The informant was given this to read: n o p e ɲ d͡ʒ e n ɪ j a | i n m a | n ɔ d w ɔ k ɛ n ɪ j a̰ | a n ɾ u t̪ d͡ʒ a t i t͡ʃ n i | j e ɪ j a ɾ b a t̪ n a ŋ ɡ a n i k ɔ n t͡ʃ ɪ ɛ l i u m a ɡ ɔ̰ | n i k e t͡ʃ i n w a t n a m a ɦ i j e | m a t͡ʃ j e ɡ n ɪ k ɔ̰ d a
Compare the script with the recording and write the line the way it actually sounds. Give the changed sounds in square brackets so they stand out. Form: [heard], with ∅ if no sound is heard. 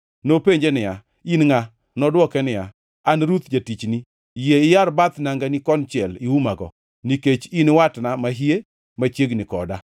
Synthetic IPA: n o p e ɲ d͡ʒ e n ɪ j a | i n [ŋ] a | n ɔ d w ɔ k ɛ n ɪ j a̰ | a n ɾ u t̪ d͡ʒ a t i t͡ʃ n i | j e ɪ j a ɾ b a t̪ n a ŋ ɡ a n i k ɔ n t͡ʃ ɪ ɛ l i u m a ɡ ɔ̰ | n i k e t͡ʃ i n w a t n a m a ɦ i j e | m a t͡ʃ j e ɡ n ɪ k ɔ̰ d a